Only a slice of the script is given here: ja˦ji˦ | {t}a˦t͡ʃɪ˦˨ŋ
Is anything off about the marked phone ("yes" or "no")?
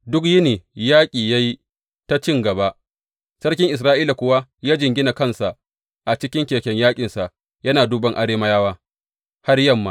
no